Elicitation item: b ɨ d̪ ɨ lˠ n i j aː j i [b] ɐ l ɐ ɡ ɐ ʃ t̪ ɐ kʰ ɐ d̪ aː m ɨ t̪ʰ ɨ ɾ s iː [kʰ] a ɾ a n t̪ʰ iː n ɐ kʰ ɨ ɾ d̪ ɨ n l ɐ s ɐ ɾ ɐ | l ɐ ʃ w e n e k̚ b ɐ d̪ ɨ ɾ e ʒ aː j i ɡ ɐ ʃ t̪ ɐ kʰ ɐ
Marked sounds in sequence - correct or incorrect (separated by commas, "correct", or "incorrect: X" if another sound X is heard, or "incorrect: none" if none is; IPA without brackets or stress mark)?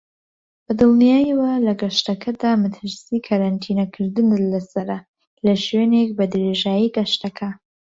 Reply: incorrect: w, correct